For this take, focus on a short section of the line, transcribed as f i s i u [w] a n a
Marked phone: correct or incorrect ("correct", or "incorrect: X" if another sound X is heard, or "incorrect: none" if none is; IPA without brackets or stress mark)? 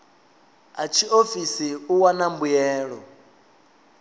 correct